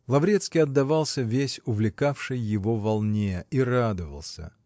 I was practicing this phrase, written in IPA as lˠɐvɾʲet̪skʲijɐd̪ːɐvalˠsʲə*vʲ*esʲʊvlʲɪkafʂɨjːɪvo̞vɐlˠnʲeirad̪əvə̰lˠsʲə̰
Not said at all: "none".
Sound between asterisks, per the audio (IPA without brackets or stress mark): vʲ